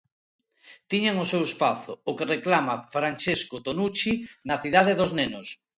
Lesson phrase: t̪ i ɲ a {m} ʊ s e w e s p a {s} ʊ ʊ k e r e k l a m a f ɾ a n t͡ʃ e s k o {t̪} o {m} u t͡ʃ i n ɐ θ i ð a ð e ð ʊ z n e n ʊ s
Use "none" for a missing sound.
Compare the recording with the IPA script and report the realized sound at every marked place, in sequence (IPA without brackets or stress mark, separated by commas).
ŋ, θ, t̪, n